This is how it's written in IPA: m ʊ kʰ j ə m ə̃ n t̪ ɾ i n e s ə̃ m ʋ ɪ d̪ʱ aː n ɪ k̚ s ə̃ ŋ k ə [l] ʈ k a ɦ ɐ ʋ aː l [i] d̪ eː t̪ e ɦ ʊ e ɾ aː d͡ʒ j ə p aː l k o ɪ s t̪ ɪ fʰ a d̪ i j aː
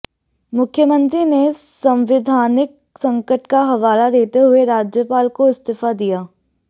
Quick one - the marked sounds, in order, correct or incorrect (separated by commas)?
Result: incorrect, incorrect